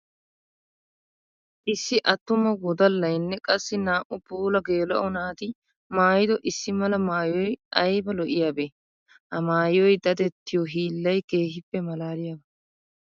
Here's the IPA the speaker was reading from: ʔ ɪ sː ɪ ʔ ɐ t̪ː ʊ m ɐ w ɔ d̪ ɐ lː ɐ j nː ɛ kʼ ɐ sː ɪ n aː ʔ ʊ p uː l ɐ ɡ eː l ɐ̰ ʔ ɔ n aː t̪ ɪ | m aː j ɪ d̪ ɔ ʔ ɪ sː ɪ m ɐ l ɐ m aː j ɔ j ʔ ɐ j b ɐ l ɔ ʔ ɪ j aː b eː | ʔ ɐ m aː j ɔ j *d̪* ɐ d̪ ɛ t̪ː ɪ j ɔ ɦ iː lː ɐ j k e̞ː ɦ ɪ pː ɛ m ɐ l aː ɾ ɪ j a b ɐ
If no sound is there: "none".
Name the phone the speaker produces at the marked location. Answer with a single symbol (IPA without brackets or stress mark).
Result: d̪